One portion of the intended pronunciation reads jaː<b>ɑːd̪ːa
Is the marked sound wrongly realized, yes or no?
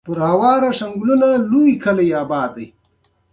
no